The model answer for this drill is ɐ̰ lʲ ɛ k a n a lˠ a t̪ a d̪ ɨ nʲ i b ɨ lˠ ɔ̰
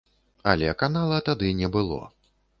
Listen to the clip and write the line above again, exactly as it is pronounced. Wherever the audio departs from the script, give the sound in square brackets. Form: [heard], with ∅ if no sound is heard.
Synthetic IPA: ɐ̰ lʲ ɛ k a n a lˠ [ɐ] t̪ a d̪ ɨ nʲ [ɛ] b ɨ lˠ ɔ̰